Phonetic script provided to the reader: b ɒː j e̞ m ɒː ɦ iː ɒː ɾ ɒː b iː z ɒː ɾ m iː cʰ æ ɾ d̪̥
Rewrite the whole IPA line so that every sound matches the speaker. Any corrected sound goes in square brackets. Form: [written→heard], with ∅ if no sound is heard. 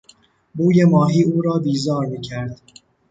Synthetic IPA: b [ɒː→uː] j e̞ m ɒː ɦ iː [ɒː→uː] ɾ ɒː b iː z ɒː ɾ m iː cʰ æ ɾ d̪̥